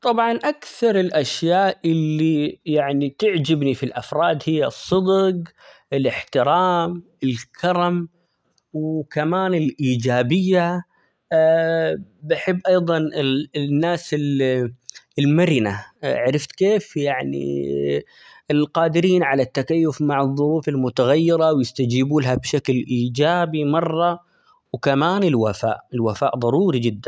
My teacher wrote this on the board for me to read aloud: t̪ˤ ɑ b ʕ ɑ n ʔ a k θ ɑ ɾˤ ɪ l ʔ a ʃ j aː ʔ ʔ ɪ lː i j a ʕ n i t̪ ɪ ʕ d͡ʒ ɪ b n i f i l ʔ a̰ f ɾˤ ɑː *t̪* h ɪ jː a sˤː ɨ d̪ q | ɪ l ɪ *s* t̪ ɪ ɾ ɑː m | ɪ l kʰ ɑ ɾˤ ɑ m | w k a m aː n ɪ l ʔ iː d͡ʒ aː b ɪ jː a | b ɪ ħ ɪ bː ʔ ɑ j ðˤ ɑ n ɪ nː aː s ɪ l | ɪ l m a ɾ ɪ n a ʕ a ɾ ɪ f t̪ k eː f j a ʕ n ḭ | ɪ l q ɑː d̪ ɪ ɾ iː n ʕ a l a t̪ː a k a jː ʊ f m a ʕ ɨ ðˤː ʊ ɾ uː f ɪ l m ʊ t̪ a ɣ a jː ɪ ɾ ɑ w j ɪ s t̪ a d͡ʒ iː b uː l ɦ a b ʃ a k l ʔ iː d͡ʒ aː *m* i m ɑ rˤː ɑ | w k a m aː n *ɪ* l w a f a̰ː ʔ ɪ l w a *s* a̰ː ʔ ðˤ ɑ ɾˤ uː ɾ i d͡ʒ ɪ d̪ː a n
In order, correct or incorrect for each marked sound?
incorrect, incorrect, incorrect, correct, incorrect

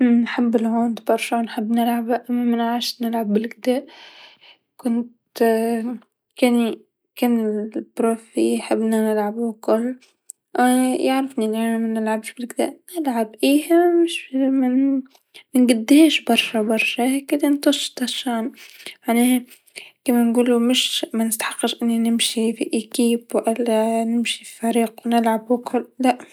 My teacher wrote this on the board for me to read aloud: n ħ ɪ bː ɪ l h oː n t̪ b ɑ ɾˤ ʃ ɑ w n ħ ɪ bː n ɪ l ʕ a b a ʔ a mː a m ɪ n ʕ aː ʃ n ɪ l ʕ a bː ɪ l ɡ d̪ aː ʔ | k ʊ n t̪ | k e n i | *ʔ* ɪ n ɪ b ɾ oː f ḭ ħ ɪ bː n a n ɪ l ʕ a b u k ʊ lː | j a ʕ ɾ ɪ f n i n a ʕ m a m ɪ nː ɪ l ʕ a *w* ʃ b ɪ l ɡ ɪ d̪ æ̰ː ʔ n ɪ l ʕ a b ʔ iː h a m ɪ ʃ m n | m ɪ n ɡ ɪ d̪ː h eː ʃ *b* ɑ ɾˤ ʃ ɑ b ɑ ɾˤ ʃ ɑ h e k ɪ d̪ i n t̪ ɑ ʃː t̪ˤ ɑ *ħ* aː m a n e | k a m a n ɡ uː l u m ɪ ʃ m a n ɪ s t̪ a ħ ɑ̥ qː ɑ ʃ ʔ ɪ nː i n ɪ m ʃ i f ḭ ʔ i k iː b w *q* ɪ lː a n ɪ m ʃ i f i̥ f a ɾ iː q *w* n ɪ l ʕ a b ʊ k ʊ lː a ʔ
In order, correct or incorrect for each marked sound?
incorrect, incorrect, correct, incorrect, incorrect, correct

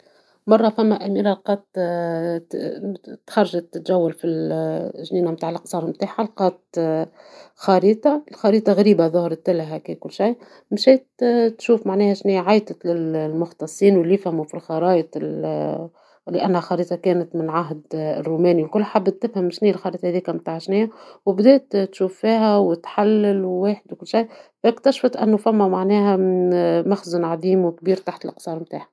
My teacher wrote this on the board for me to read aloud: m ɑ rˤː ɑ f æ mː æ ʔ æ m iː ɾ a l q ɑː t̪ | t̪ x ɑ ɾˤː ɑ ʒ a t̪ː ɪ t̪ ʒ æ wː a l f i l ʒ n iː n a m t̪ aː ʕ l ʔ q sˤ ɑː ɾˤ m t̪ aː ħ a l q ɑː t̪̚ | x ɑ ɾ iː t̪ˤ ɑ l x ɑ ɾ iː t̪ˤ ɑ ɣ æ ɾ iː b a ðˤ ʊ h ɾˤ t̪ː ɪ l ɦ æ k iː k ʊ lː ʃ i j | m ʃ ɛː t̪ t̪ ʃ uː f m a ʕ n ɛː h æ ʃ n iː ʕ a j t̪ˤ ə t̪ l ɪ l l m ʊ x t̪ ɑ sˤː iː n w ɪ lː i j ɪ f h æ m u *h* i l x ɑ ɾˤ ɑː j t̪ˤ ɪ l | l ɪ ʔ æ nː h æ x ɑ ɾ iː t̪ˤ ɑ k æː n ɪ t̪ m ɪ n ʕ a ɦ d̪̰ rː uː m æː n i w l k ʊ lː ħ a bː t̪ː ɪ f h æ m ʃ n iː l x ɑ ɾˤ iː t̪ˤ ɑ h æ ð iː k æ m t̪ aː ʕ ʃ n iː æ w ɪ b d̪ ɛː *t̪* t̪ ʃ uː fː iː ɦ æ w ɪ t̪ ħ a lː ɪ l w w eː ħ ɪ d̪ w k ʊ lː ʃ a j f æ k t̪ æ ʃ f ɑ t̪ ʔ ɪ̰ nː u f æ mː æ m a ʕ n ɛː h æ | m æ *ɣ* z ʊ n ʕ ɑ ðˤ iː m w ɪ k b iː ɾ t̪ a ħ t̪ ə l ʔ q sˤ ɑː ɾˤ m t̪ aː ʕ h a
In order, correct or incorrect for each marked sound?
incorrect, correct, incorrect

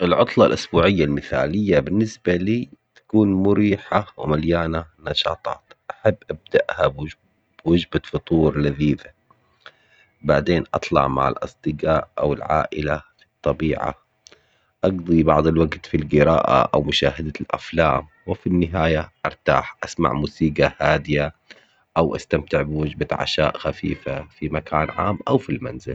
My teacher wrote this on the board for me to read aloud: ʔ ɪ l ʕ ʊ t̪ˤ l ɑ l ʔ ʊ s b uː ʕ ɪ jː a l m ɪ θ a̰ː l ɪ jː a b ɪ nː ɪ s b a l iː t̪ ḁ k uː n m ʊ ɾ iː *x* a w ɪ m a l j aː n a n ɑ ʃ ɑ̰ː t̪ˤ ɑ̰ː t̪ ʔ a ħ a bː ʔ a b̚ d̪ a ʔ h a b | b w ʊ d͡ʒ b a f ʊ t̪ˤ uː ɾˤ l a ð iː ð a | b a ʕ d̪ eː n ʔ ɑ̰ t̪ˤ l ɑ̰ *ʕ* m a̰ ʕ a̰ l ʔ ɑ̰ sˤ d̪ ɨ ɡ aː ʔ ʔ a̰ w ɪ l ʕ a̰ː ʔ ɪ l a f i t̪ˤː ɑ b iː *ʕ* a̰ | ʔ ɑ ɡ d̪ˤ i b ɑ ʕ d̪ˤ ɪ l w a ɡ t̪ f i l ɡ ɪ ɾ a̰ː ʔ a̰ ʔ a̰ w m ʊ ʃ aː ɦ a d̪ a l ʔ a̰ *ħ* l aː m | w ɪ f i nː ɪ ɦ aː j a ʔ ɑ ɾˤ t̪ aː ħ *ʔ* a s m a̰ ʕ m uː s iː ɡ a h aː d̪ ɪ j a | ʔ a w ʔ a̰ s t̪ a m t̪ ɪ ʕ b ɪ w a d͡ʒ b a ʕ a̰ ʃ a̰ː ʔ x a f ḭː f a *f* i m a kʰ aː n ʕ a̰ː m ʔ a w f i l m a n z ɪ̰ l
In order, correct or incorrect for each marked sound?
incorrect, correct, correct, incorrect, correct, correct

